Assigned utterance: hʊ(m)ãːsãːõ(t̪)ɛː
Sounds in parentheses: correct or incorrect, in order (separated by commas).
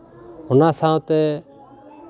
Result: incorrect, correct